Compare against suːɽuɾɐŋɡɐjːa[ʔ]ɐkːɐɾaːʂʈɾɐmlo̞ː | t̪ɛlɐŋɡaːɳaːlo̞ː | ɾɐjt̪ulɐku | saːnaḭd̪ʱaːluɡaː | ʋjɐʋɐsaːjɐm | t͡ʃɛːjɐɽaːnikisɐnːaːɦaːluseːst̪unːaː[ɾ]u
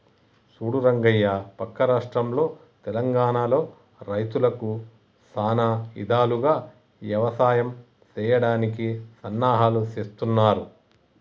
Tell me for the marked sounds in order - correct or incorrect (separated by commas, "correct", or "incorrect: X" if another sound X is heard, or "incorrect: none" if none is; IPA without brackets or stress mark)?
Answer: incorrect: p, correct